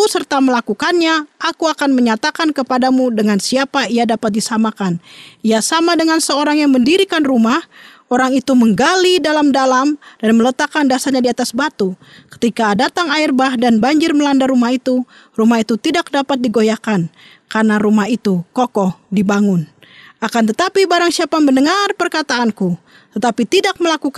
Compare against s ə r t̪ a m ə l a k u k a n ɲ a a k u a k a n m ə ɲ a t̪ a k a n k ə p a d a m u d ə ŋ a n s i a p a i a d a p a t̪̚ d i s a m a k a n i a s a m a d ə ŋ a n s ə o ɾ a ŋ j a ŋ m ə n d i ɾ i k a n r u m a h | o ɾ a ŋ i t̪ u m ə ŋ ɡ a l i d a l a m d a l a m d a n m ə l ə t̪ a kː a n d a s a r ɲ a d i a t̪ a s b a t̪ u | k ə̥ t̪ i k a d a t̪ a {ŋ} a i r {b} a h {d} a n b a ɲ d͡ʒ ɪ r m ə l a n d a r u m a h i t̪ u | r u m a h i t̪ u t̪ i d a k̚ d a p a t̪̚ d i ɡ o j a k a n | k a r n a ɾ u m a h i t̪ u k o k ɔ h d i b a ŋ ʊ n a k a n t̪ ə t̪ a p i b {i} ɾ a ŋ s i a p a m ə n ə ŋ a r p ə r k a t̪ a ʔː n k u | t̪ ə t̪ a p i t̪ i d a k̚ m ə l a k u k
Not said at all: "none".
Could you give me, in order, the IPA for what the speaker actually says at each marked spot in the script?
ŋ, b, d, a

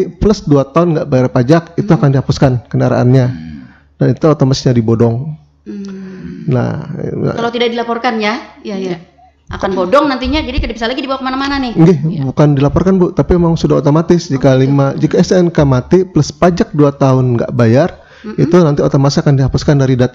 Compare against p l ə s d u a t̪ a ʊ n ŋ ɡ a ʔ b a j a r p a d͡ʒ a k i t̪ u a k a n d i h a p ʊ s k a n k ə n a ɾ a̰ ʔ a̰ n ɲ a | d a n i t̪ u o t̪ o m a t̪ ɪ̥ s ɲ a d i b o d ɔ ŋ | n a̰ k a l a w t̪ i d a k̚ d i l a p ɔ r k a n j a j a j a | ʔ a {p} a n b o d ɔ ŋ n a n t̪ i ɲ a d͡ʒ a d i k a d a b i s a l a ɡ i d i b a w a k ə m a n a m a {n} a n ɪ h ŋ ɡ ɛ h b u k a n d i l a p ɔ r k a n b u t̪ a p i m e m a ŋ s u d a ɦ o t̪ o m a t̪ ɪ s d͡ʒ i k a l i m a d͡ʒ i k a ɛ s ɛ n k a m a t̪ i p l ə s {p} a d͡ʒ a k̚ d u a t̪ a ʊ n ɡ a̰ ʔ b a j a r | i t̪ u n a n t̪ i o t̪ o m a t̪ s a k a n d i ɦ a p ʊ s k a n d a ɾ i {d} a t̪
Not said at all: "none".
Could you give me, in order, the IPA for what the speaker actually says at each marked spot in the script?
k, n, p, d

